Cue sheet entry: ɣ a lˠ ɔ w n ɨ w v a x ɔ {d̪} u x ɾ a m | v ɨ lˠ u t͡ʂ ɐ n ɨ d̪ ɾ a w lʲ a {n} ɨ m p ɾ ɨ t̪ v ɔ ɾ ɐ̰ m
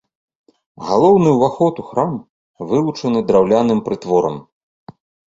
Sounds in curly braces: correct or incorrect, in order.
incorrect, correct

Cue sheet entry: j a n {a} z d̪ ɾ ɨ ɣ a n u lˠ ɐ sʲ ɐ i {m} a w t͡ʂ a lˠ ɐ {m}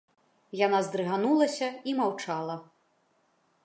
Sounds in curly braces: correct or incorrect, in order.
correct, correct, incorrect

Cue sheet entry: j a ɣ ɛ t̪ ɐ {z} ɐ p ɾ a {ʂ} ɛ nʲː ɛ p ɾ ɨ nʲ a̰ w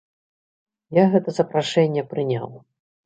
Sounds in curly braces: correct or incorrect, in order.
correct, correct

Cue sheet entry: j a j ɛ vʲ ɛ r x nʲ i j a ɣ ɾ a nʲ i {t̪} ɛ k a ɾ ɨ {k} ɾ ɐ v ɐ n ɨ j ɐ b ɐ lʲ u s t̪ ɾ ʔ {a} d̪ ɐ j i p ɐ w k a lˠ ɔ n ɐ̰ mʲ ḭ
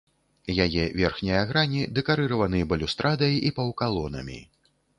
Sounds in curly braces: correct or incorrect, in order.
incorrect, incorrect, correct

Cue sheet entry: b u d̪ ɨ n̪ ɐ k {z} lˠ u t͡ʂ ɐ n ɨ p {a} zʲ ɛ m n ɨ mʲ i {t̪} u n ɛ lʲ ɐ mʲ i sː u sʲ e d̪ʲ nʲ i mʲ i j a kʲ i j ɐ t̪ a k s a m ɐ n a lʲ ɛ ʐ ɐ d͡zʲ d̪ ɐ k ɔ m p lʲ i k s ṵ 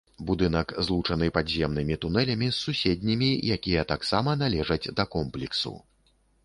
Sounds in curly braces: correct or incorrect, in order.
correct, correct, correct

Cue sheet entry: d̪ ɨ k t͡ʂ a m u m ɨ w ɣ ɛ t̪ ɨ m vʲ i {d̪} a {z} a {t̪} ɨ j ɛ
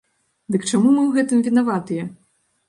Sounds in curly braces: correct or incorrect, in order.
incorrect, incorrect, correct

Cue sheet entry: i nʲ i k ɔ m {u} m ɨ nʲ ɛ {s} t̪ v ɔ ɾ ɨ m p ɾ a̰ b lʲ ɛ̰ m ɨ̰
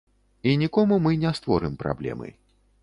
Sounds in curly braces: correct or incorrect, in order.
correct, correct

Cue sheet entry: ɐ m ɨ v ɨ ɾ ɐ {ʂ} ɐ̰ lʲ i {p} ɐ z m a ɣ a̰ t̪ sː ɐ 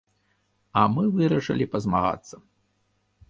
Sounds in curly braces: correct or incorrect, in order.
correct, correct

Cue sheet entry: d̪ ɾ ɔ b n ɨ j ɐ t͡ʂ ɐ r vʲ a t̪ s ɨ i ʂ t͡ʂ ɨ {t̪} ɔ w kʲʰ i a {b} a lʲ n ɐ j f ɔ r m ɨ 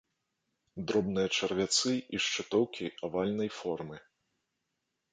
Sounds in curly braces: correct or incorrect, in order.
correct, incorrect

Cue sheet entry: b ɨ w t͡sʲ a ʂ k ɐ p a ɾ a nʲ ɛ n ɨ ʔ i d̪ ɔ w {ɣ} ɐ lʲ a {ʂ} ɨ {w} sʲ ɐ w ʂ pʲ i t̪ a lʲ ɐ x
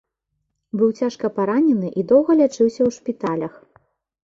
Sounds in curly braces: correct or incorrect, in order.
correct, incorrect, correct

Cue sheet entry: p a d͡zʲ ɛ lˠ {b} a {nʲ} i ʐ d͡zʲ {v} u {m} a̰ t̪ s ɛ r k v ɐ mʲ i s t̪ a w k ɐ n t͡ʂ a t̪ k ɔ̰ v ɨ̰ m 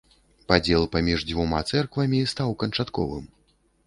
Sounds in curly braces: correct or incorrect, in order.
incorrect, incorrect, correct, correct

